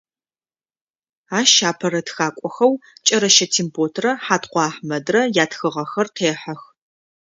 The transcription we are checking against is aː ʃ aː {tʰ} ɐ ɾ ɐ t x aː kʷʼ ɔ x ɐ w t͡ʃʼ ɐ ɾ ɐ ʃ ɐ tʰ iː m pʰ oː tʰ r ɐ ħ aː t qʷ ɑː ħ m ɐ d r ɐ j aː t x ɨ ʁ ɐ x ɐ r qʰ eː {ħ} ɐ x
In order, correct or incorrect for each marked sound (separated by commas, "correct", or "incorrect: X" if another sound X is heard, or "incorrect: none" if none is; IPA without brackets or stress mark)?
incorrect: pʰ, correct